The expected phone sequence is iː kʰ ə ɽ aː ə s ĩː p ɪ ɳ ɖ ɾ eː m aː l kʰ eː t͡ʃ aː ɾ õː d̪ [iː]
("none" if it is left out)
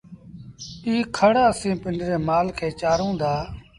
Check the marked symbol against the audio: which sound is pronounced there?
aː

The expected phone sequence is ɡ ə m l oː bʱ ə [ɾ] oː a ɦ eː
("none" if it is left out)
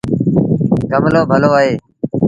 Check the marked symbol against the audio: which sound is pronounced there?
l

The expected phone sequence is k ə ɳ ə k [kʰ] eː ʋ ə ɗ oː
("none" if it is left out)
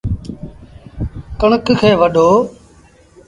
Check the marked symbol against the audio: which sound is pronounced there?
kʰ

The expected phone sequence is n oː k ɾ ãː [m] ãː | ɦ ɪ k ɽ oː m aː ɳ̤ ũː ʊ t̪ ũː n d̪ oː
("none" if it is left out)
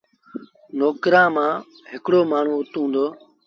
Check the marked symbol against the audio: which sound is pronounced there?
m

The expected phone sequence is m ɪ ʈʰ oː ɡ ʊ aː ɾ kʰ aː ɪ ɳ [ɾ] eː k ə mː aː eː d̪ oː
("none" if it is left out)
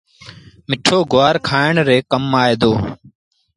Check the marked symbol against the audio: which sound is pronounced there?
ɾ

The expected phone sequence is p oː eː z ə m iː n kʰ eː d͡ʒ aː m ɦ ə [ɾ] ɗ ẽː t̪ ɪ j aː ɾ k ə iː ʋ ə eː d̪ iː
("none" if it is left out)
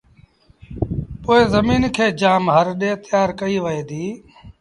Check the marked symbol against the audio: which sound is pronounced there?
ɾ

